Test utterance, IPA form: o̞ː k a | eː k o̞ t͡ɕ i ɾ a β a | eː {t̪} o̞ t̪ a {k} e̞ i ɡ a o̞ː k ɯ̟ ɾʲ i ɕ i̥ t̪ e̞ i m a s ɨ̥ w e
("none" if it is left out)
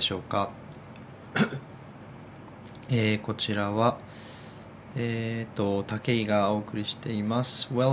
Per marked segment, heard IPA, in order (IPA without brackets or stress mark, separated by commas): t̪, k